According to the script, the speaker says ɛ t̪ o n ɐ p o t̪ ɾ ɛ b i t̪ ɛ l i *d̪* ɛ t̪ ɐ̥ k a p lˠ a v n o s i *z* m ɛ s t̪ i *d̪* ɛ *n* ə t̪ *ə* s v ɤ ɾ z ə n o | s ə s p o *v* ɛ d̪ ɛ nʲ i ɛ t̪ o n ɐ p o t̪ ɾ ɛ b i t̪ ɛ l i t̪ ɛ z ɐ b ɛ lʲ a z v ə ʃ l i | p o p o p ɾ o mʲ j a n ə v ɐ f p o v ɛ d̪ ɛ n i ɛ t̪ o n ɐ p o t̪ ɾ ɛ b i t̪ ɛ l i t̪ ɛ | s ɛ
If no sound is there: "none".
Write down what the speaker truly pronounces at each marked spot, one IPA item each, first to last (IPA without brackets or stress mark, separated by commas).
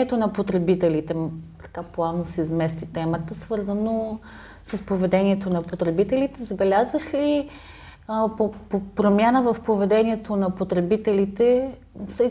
t̪, z, t̪, m, ə, v